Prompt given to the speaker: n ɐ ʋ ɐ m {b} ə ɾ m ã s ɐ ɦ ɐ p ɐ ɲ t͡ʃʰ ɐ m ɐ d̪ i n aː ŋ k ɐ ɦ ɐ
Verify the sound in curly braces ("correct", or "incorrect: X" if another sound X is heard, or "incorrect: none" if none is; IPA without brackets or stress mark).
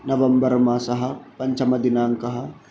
correct